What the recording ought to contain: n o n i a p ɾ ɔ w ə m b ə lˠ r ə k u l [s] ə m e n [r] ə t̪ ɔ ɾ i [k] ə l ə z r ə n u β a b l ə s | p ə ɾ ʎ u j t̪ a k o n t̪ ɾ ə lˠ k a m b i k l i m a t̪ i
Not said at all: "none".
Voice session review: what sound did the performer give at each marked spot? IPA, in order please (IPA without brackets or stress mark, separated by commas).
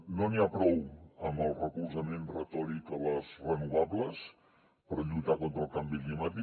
z, r, k